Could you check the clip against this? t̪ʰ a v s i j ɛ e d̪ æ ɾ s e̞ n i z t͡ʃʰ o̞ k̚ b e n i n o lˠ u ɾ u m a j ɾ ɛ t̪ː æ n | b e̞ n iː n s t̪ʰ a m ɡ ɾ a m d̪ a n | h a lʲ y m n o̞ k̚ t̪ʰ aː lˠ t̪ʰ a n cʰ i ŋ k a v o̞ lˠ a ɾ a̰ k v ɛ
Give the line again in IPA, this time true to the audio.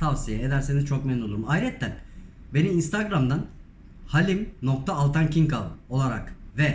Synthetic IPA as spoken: t̪ʰ a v s i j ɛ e d̪ æ ɾ s e̞ n i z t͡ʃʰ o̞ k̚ m e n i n o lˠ u ɾ u m a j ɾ ɛ t̪ː æ n | b e̞ n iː n s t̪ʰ a ɡ ɾ a m d̪ a n | h a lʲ i m n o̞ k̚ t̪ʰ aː lˠ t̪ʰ a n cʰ i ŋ k a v o̞ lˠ a ɾ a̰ k v ɛ